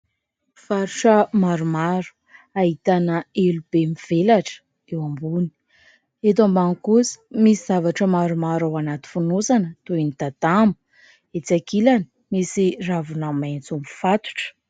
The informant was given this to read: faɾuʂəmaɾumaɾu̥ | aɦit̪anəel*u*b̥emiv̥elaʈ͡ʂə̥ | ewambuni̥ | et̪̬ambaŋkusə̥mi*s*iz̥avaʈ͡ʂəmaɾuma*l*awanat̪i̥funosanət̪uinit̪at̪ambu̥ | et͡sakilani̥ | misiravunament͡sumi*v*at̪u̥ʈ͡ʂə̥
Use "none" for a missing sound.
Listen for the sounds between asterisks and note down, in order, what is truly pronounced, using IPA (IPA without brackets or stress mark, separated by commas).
u, s, ɾ, f